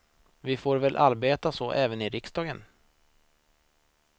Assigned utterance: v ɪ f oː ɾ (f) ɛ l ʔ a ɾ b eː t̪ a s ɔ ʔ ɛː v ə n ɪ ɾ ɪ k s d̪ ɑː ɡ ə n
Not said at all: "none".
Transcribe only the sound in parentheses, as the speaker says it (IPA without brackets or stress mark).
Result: v